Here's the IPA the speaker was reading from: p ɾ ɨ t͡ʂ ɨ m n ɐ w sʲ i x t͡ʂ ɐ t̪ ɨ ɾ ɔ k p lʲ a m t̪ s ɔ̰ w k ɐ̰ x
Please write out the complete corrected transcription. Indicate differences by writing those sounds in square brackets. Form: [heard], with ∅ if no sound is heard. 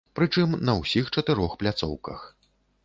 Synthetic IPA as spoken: p ɾ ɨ t͡ʂ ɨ m n ɐ w sʲ i x t͡ʂ ɐ t̪ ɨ ɾ ɔ [x] p lʲ a [∅] t̪ s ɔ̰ w k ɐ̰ x